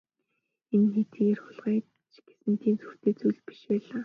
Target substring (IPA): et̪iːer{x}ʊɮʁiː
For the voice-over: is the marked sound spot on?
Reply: yes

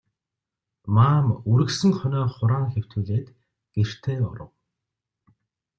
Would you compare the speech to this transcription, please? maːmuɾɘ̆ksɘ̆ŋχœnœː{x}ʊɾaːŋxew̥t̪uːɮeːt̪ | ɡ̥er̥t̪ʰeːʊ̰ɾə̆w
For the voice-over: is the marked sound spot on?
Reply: no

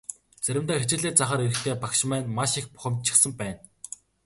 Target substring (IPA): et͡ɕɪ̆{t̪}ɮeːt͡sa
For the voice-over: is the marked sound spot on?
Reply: no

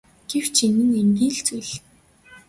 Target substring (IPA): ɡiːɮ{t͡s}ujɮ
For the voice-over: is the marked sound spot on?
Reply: yes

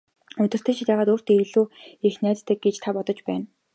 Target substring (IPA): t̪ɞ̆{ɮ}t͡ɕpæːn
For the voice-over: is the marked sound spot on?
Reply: no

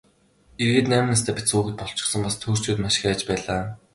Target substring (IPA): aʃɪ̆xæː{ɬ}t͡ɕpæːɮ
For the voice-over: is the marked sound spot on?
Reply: no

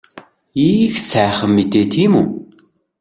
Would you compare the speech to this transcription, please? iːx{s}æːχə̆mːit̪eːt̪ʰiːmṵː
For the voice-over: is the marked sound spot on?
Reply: yes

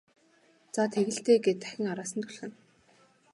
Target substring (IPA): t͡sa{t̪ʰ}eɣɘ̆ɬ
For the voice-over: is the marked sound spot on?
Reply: yes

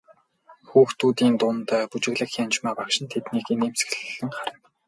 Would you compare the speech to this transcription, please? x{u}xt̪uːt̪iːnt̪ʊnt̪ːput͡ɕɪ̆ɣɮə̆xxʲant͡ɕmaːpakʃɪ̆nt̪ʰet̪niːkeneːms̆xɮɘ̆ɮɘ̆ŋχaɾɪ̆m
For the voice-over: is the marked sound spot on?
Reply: no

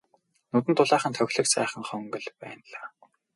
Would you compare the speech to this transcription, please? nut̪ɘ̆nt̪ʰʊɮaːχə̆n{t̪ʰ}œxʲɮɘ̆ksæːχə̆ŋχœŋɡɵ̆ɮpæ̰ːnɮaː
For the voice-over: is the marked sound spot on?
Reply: yes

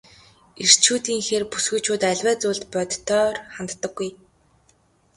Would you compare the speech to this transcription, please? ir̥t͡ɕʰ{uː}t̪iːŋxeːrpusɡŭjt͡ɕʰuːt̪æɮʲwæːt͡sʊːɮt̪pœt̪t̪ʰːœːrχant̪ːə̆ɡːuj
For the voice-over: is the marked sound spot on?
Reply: yes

